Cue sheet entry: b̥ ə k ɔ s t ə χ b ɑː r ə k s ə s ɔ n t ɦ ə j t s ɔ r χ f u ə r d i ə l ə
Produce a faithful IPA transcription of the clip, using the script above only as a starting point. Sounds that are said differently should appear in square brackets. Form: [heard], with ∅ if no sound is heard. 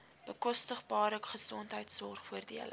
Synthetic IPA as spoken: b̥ ə k ɔ s t ə χ b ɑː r ə k [χ] ə s ɔ n t ɦ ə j t s ɔ r χ f u ə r d i ə l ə